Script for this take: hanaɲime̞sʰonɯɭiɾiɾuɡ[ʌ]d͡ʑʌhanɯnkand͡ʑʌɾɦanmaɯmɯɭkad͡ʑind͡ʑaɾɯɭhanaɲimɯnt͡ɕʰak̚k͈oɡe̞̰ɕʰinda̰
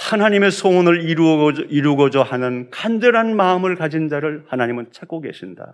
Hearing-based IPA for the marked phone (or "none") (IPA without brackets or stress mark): ʌ